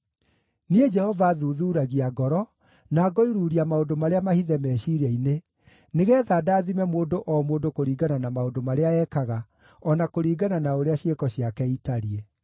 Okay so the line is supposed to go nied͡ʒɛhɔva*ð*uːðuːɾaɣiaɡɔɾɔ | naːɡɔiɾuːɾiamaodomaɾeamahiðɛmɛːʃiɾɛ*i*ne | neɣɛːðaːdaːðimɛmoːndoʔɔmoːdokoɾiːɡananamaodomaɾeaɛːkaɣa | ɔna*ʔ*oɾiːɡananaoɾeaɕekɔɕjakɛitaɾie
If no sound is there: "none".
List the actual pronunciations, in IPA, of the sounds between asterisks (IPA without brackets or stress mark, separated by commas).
ð, i, k